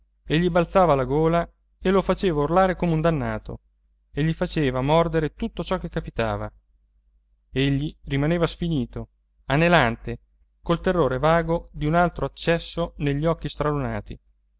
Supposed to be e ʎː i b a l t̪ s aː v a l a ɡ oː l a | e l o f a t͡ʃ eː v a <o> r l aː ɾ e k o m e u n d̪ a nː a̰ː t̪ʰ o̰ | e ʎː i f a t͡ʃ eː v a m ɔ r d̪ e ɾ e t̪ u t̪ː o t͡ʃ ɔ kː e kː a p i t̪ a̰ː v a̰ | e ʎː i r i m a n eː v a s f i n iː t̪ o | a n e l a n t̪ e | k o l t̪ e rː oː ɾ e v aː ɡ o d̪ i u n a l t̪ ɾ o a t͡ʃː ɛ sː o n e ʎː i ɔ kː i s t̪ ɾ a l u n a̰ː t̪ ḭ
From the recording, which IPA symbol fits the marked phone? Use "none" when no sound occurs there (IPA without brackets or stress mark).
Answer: u